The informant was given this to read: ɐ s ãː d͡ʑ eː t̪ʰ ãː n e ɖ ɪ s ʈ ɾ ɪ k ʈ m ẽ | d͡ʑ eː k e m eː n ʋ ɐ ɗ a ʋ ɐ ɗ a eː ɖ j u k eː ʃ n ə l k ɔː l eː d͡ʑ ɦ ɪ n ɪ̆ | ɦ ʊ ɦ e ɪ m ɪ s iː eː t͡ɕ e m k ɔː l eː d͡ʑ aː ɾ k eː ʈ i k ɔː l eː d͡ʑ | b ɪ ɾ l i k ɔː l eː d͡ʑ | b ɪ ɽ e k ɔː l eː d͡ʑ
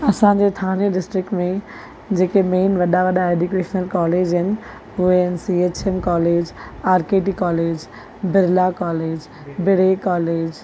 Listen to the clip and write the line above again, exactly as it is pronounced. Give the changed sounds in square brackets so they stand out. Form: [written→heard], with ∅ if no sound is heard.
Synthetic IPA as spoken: ɐ s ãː d͡ʑ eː t̪ʰ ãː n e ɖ ɪ s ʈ ɾ ɪ k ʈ m ẽ | d͡ʑ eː k e m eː n ʋ ɐ ɗ a ʋ ɐ ɗ a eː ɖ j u k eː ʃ n ə l k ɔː l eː d͡ʑ ɦ ɪ n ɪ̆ | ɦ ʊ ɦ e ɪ [m→n] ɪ s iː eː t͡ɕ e m k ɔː l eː d͡ʑ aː ɾ k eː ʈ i k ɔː l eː d͡ʑ | b ɪ ɾ l [i→a] k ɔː l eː d͡ʑ | b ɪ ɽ e k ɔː l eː d͡ʑ